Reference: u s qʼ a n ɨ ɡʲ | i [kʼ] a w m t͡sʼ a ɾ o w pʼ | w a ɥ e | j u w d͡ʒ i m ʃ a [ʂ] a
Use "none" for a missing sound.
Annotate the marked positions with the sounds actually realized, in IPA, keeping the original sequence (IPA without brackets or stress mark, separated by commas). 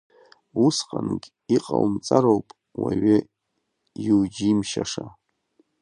qʼ, ʂ